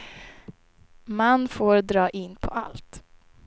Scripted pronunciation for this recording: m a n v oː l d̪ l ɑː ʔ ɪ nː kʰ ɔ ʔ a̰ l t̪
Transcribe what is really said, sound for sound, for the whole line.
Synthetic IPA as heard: m a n f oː ɾ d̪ ɾ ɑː ʔ ɪ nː pʰ ɔ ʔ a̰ l t̪